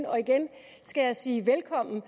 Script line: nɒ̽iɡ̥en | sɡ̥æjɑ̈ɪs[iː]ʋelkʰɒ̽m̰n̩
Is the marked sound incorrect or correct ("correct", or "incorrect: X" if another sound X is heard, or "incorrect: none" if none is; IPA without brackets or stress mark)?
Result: correct